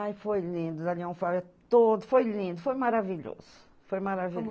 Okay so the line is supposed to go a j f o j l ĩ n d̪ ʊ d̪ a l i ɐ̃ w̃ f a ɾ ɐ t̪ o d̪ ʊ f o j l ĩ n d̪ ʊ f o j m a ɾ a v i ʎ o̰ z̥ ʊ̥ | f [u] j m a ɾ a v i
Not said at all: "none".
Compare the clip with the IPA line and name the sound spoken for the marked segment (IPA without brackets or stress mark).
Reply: o